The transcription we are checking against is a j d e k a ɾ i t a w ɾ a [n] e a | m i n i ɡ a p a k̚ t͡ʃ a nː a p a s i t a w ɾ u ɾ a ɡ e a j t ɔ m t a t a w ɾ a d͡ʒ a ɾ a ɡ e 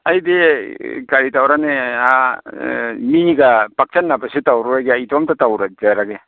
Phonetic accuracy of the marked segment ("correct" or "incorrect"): correct